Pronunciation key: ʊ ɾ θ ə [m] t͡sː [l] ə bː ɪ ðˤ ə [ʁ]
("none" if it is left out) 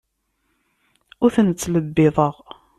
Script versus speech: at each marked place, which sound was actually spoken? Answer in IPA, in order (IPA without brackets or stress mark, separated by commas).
n, l, ʁ